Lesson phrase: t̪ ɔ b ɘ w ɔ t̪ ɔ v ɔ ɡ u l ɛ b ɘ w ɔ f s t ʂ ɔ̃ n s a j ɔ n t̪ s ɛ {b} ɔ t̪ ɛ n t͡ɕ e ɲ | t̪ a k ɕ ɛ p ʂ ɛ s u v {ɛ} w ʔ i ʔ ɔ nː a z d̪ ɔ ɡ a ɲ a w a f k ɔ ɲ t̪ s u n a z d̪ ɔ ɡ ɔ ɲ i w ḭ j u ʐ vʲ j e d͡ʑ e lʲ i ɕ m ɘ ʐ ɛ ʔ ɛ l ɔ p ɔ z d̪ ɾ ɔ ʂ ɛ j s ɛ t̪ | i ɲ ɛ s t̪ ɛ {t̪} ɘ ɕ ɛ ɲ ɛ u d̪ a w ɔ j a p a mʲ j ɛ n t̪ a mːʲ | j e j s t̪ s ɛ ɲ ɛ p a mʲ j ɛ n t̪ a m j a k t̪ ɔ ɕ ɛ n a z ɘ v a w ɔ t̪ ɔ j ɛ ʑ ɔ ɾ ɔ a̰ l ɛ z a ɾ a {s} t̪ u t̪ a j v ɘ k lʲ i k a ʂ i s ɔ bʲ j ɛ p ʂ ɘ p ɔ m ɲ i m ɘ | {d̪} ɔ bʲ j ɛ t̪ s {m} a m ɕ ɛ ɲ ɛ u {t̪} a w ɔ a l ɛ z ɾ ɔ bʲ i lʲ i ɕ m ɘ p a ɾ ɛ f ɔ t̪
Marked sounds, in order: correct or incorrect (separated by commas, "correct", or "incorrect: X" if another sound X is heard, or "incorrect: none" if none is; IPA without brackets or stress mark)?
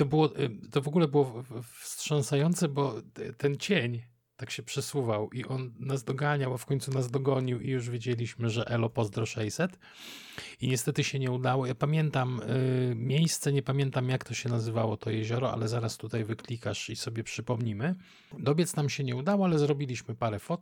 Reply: correct, incorrect: a, correct, correct, correct, incorrect: n, incorrect: d̪